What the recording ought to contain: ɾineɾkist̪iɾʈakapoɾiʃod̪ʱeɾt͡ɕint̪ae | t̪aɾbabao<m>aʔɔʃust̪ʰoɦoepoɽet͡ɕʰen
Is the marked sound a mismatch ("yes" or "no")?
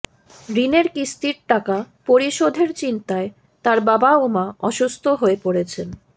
no